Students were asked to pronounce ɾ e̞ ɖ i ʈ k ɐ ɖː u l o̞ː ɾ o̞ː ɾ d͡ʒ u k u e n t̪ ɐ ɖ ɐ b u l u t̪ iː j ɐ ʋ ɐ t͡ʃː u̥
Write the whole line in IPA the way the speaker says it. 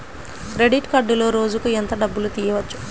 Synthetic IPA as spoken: ɾ e̞ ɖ i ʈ k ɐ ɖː u l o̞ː ɾ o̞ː d͡ʒ u k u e n t̪ ɐ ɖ ɐ bː u l u t̪ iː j ɐ ʋ ɐ t͡ʃː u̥